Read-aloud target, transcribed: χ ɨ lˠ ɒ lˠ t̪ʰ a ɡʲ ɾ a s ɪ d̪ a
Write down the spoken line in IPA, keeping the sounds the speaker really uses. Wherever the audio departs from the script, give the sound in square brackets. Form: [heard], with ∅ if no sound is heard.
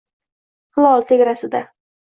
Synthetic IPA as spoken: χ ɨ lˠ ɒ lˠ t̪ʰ [e] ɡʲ ɾ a s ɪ d̪ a

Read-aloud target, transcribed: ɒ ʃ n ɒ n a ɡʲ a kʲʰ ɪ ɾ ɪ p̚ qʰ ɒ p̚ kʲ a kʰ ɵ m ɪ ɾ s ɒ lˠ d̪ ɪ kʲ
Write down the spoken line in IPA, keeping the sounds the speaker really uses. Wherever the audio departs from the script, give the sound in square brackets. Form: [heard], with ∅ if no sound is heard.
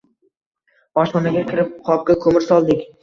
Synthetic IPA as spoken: ɒ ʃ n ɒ n a ɡʲ a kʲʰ ɪ ɾ ɪ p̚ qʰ ɒ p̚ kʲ a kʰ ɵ m ɪ ɾ s ɒ lˠ d̪ ɪ kʲ

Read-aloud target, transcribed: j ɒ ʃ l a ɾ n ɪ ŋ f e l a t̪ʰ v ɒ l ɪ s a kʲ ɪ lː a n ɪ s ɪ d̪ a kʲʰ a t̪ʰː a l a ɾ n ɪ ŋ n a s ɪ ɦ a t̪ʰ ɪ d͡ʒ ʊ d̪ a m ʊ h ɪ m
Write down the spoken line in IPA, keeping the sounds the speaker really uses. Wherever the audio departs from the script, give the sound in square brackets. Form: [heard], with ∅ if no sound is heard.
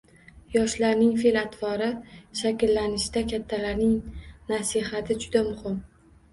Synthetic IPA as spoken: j ɒ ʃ l a ɾ n ɪ ŋ f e l a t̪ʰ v ɒ [ɾ] ɪ [ʃ] a kʲ ɪ lː a n ɪ [ʃ] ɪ d̪ a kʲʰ a t̪ʰː a l a ɾ n ɪ ŋ n a s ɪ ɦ a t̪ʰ ɪ d͡ʒ ʊ d̪ a m ʊ h ɪ m

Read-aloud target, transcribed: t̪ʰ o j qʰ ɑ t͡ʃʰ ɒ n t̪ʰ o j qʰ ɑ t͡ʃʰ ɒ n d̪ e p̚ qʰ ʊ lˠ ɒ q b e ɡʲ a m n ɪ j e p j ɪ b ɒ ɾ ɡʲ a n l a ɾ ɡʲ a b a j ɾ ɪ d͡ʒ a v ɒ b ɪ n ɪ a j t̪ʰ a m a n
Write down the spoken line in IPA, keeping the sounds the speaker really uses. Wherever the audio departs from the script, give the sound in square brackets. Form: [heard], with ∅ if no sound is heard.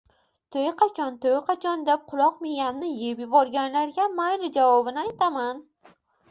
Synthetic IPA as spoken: t̪ʰ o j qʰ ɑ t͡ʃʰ ɒ n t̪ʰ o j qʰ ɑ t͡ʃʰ ɒ n d̪ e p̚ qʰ ʊ lˠ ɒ q [m] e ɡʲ a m n ɪ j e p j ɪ b ɒ ɾ ɡʲ a n l a ɾ ɡʲ a [m] a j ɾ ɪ d͡ʒ a v ɒ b ɪ n ɪ a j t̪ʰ a m a n

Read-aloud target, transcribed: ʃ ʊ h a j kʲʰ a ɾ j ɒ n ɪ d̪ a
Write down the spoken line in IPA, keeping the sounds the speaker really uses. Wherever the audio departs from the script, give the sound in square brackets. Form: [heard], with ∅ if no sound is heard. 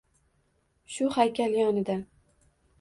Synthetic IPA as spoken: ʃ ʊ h a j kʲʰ a [l] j ɒ n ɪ d̪ a

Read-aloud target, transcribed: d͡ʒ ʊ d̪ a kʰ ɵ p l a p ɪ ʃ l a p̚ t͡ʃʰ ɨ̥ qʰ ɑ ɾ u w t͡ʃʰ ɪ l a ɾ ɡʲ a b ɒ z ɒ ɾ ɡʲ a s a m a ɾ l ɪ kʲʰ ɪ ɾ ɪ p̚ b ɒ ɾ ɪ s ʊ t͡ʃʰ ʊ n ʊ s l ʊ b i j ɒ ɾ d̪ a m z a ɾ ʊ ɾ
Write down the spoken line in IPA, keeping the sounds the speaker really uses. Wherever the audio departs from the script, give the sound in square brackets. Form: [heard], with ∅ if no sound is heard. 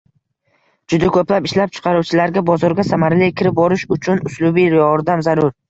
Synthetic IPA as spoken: d͡ʒ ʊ d̪ a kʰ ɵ p l a p ɪ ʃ l a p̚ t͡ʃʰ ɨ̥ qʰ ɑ ɾ u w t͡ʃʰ ɪ l a ɾ ɡʲ a b ɒ z ɒ ɾ ɡʲ a s a m a ɾ l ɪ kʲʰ ɪ ɾ ɪ p̚ b ɒ ɾ ɪ [ʃ] ʊ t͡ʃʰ ʊ n ʊ s l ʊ b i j ɒ ɾ d̪ a m z a ɾ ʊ ɾ

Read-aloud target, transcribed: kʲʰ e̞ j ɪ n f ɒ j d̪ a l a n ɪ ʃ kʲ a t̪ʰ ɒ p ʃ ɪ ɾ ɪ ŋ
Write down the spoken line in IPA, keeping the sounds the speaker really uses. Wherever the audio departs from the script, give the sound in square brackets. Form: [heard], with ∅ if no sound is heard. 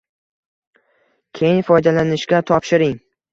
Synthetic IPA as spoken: kʲʰ e̞ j ɪ n f ɒ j d̪ a l a n ɪ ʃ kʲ a t̪ʰ ɒ p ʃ ɪ ɾ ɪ ŋ

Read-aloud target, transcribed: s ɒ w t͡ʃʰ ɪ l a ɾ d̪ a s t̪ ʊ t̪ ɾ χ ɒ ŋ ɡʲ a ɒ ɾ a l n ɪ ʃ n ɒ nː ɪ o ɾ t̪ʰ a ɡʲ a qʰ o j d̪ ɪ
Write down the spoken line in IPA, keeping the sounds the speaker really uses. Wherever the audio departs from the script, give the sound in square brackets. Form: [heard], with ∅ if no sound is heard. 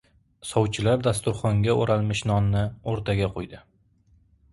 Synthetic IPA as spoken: s ɒ w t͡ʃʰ ɪ l a ɾ d̪ a s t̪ ʊ [∅] ɾ χ ɒ ŋ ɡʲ a [o] ɾ a l [m] ɪ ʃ n ɒ nː ɪ o ɾ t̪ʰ a ɡʲ a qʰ o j d̪ ɪ

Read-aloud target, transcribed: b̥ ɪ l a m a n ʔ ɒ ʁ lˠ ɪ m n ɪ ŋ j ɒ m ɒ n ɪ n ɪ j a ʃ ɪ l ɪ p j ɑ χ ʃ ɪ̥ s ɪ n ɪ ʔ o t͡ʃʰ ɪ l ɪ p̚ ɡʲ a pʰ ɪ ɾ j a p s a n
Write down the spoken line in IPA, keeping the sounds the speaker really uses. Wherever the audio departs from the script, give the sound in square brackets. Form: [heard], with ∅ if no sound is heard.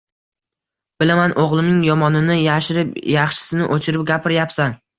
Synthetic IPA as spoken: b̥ ɪ l a m a n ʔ [o] ʁ lˠ ɪ m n ɪ ŋ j ɒ m ɒ n ɪ n ɪ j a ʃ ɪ [ɾ] ɪ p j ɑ χ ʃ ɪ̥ s ɪ n ɪ ʔ o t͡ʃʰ ɪ [ɾ] ɪ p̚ ɡʲ a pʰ ɪ ɾ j a p s a n

